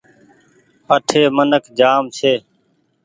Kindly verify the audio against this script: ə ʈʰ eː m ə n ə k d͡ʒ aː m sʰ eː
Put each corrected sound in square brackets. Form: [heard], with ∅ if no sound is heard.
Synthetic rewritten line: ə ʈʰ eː m ə n ə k d͡ʒ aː m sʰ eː